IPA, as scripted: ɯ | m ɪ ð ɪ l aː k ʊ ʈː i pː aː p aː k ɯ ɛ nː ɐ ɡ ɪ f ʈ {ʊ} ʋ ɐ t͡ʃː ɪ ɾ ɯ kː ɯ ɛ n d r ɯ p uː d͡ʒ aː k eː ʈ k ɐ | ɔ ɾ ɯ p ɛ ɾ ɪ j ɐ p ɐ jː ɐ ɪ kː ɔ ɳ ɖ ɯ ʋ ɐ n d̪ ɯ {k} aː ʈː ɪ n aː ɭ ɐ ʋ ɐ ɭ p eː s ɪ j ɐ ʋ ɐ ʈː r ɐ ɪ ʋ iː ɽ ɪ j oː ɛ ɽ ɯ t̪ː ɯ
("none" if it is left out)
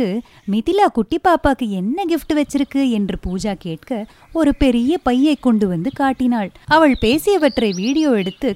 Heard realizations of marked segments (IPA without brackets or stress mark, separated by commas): ɯ, k